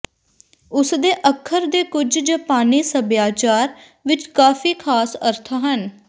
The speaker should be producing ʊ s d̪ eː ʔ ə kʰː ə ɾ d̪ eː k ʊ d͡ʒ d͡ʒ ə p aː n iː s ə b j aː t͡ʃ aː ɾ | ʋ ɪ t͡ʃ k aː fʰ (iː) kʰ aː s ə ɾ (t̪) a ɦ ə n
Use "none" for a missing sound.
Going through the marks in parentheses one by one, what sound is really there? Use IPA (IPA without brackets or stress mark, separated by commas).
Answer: iː, t̪ʰ